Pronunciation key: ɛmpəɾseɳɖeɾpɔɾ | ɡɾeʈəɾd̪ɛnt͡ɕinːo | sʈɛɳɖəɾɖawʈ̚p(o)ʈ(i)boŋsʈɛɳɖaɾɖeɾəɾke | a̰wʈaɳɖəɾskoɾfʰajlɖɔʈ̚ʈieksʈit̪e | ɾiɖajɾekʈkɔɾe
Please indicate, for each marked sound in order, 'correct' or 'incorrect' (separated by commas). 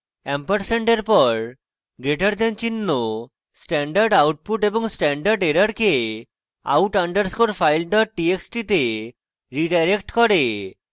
incorrect, incorrect